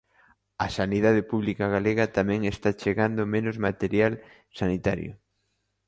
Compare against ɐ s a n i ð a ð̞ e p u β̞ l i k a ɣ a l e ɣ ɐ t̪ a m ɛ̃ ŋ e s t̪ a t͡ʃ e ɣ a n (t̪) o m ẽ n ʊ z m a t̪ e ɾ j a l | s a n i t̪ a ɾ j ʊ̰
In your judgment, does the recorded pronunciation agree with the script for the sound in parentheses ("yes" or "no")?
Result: no